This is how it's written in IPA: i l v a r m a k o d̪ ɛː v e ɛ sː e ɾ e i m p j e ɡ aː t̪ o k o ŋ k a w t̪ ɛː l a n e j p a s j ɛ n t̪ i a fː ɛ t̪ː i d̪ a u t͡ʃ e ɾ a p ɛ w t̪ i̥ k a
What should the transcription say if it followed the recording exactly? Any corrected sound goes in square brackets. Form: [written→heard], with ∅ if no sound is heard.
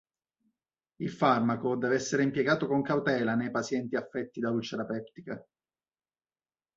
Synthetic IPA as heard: i l [v→f] a r m a k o d̪ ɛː v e ɛ sː e ɾ e i m p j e ɡ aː t̪ o k o ŋ k a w t̪ ɛː l a n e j p a s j ɛ n t̪ i a fː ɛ t̪ː i d̪ a u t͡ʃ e ɾ a p ɛ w t̪ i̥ k a